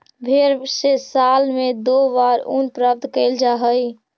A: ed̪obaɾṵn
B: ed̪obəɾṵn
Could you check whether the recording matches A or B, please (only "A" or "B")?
A